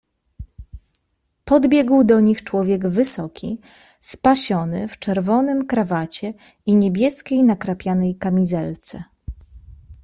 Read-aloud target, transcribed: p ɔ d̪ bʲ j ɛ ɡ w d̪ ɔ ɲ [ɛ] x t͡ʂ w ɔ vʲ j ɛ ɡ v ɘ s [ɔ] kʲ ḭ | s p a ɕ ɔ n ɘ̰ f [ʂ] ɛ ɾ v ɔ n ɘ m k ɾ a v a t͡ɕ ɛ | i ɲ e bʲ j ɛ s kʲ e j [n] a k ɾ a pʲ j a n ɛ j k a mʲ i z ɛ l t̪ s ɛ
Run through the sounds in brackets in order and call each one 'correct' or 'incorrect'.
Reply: incorrect, correct, incorrect, correct

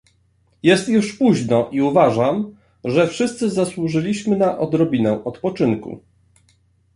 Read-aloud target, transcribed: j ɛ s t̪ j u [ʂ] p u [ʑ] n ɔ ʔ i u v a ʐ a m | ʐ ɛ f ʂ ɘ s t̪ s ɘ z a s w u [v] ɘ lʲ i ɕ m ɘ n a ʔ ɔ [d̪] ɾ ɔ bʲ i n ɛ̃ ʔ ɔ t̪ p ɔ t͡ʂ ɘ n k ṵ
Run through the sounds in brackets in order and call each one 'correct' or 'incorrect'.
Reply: correct, correct, incorrect, correct

